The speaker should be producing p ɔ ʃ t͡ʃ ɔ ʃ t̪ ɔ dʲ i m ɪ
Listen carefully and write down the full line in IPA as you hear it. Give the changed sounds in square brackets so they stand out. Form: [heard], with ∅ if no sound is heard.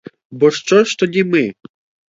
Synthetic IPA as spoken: [b] ɔ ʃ t͡ʃ ɔ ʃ t̪ ɔ dʲ i m ɪ